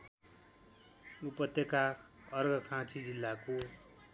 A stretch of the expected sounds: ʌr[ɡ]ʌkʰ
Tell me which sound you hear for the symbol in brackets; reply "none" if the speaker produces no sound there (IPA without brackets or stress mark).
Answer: ɡ